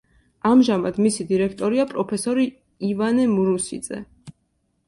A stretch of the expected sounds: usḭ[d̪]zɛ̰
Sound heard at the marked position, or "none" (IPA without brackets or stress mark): d̪